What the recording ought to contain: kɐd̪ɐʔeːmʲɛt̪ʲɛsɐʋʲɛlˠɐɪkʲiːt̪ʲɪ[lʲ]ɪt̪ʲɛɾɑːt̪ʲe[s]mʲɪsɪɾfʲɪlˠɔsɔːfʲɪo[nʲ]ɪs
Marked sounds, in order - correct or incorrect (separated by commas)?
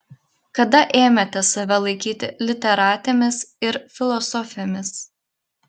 correct, incorrect, incorrect